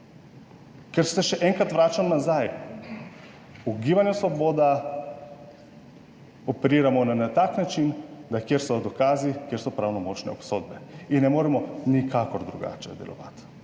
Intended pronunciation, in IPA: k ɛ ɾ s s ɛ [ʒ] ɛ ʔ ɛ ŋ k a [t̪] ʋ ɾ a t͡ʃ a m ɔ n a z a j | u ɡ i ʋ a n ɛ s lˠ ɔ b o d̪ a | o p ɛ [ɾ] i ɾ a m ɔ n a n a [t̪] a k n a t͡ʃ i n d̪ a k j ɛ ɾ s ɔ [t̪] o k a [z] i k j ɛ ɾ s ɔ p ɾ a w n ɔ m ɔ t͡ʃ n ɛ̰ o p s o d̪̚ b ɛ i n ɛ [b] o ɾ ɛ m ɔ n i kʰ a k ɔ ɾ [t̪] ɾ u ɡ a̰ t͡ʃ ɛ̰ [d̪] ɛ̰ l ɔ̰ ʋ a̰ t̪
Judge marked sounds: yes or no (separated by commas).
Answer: no, yes, yes, yes, no, yes, no, no, yes